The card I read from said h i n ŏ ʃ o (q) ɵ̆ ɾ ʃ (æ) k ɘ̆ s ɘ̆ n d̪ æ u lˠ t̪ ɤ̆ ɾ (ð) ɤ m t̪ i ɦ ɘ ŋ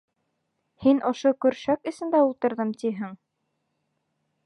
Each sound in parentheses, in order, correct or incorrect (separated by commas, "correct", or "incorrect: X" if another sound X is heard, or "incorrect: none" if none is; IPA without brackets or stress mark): incorrect: k, correct, correct